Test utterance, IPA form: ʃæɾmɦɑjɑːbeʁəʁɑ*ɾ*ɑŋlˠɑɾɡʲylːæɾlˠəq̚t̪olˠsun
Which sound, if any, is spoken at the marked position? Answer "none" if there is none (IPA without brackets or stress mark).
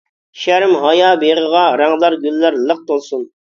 ɾ